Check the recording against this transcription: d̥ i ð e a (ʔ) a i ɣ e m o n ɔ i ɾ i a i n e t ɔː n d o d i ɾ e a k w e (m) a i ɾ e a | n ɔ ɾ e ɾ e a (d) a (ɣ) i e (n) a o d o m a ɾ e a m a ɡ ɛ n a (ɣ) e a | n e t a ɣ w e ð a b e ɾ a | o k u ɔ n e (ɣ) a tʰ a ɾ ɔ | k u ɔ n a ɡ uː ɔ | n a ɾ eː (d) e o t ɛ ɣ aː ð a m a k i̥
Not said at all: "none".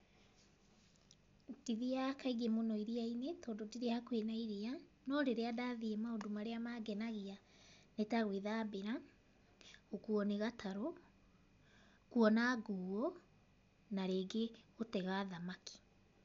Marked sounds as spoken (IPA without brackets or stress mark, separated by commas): k, n, d, ð, m, ɣ, ɣ, ɡ